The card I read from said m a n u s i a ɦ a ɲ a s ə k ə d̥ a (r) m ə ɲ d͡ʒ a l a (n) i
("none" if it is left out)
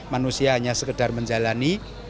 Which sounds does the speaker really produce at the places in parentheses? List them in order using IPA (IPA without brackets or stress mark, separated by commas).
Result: r, n